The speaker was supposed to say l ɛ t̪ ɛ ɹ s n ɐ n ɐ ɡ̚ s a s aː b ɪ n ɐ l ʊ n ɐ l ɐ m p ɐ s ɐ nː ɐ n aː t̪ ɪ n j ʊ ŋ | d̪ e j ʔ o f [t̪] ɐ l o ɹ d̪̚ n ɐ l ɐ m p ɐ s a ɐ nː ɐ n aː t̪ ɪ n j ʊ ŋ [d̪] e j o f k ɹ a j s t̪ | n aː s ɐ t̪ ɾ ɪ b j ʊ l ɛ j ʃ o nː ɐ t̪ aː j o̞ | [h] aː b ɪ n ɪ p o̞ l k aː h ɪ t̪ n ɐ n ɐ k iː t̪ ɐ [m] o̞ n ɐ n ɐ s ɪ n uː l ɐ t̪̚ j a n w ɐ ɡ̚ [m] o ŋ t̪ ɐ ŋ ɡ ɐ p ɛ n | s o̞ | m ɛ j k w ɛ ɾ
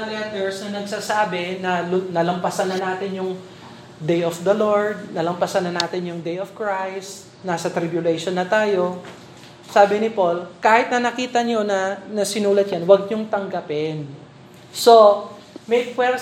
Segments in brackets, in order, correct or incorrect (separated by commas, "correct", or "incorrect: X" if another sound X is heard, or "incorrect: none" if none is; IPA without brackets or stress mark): incorrect: d̪, correct, incorrect: s, incorrect: ɲ, incorrect: ɲ